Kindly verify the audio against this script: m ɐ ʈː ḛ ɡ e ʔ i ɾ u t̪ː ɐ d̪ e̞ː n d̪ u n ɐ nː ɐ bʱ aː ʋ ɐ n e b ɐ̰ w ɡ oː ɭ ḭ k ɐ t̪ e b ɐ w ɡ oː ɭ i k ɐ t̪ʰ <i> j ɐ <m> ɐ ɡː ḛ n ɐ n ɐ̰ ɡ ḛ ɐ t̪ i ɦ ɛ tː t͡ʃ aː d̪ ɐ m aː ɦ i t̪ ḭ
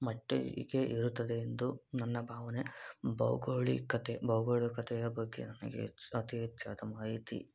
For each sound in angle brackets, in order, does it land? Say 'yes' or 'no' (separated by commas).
no, no